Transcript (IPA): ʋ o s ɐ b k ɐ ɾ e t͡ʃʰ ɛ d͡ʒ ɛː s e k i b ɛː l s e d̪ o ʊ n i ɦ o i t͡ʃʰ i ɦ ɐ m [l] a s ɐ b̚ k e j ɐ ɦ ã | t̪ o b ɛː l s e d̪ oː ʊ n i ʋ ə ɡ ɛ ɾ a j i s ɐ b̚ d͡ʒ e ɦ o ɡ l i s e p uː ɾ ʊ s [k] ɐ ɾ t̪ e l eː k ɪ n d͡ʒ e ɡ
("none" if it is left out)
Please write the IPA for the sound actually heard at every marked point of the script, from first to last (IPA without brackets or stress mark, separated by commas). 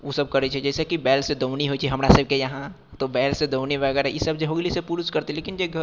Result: ɾ, k